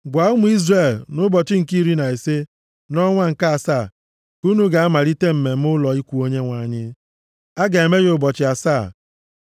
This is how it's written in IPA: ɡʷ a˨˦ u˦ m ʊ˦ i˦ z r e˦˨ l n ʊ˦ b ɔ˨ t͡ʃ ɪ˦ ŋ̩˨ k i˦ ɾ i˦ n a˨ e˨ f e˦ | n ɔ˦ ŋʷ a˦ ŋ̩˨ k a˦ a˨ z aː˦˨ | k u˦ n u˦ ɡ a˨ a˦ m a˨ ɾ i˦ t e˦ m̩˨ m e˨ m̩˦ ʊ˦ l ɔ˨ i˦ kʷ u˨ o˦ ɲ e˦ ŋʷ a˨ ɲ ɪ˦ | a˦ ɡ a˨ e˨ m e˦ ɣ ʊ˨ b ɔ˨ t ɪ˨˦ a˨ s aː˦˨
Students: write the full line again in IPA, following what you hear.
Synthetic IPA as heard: ɡʷ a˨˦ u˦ m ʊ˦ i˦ z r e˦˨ l n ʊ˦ b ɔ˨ t͡ʃ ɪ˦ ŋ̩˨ k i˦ ɾ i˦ n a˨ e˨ s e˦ | n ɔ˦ ŋʷ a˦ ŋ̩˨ k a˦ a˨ s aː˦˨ | k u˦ n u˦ ɡ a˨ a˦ m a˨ ɾ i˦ t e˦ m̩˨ m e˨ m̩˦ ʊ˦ l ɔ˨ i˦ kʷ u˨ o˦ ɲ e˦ ŋʷ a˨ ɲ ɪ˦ | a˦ ɡ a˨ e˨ m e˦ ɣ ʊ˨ b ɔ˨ t͡ʃ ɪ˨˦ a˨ s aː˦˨